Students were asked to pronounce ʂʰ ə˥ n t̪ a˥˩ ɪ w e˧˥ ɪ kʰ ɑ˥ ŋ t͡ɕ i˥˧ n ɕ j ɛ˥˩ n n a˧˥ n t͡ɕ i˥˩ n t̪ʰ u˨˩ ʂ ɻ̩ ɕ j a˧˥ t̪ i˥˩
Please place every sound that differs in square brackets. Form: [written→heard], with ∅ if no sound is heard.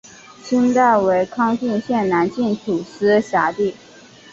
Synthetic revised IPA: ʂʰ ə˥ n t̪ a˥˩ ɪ w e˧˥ ɪ kʰ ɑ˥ ŋ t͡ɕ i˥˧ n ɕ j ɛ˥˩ n n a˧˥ n t͡ɕ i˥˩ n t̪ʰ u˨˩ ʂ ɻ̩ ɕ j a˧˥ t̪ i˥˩